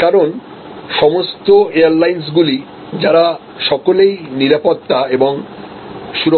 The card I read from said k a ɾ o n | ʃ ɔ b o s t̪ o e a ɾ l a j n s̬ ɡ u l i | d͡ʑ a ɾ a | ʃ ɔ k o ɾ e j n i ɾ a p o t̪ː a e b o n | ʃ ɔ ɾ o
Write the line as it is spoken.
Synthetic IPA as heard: k a ɾ o n | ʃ ɔ m o s t̪ o e a ɾ l a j n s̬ ɡ u l i | d͡ʑ a ɾ a | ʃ ɔ k o l e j n i ɾ a p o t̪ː a e b o ŋ | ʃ u ɾ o